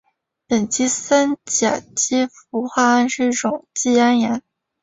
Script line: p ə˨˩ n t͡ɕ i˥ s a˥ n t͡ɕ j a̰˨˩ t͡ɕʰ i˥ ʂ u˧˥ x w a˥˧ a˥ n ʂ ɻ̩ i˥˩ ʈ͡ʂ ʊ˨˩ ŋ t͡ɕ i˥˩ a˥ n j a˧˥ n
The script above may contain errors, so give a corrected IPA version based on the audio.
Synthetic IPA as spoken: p ə˨˩ n t͡ɕ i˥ s a˥ n t͡ɕ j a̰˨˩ t͡ɕ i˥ f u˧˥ x w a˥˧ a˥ n ʂ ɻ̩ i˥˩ ʈ͡ʂ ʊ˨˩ ŋ t͡ɕ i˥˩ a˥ n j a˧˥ n

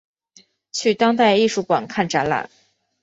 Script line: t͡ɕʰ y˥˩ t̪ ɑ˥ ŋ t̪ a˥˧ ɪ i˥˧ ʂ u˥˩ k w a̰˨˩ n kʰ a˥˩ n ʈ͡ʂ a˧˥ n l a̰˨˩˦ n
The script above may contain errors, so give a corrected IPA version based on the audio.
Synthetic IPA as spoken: t͡ɕʰ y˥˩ t̪ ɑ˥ ŋ t̪ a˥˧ ɪ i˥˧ ʂ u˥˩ k w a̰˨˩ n kʰ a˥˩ n ʈ͡ʂ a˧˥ n l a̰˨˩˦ n

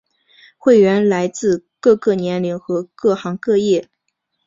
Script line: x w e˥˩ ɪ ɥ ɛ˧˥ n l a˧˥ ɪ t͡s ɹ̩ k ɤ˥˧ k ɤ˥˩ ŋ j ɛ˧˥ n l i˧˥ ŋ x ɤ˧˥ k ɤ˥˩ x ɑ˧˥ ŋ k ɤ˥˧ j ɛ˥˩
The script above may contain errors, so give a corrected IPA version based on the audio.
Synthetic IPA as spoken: x w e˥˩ ɪ ɥ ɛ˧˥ n l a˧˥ ɪ t͡s ɹ̩ k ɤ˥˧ k ɤ˥˩ n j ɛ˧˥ n l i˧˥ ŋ x ɤ˧˥ k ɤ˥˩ x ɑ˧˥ ŋ k ɤ˥˧ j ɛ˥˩

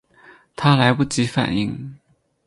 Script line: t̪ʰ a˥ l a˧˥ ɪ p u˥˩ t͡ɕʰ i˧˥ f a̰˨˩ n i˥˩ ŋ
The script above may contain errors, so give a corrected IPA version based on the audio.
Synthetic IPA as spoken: t̪ʰ a˥ l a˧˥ ɪ p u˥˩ t͡ɕ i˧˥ f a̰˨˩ n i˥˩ ŋ

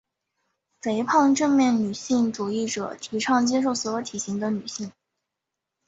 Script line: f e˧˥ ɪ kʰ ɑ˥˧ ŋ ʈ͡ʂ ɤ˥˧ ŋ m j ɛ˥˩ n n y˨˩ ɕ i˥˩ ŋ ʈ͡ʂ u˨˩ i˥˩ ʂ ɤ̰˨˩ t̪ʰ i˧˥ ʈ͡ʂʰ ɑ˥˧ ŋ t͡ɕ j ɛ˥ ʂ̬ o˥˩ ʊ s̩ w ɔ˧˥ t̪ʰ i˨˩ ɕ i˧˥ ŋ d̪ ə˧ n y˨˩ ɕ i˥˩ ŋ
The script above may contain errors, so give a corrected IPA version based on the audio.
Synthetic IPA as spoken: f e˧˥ ɪ pʰ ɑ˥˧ ŋ ʈ͡ʂ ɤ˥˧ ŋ m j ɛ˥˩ n n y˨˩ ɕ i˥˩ ŋ ʈ͡ʂ u˨˩ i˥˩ ʈ͡ʂ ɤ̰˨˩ t̪ʰ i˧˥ ʈ͡ʂʰ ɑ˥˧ ŋ t͡ɕ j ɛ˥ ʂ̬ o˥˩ ʊ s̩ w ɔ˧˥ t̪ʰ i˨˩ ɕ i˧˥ ŋ d̪ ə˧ n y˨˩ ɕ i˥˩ ŋ

